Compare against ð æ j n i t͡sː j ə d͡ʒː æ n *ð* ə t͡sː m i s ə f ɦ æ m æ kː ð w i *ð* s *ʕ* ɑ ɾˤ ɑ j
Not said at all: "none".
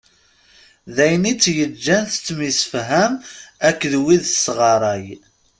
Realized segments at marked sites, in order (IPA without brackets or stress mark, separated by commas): θ, ð, ʁ